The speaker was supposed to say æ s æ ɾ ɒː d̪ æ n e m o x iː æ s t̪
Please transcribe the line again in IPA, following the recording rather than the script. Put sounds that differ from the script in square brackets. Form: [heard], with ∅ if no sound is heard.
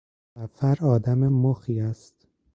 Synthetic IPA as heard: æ [f] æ ɾ ɒː d̪ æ [m] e m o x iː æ s t̪